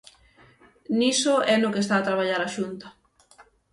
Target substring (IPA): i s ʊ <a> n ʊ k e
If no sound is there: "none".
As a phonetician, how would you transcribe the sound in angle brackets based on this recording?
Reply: ɛ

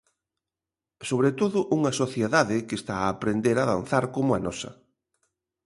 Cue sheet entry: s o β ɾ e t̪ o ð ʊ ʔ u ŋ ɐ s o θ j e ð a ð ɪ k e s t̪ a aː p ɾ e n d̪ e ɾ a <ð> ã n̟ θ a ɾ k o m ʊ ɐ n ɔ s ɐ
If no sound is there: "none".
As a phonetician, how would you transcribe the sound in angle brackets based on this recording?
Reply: ð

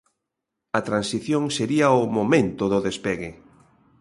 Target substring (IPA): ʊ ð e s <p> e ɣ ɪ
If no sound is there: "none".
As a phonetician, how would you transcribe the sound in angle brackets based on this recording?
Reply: p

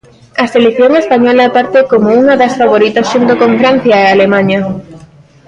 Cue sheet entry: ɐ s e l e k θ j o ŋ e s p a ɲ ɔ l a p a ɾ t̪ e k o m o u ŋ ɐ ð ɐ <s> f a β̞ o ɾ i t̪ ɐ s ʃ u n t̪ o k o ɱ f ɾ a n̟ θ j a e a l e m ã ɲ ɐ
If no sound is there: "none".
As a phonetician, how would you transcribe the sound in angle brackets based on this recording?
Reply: s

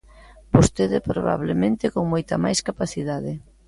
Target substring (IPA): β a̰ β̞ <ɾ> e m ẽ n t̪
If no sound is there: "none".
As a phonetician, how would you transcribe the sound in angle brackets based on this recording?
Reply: l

